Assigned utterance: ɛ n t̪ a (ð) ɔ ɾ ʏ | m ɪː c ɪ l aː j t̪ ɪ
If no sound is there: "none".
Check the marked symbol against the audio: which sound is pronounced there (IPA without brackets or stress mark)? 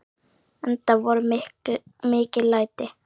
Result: v